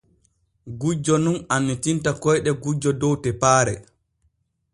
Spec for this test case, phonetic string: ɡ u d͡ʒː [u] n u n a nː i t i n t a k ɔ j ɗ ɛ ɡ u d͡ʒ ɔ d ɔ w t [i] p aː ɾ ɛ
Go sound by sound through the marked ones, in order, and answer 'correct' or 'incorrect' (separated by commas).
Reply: incorrect, incorrect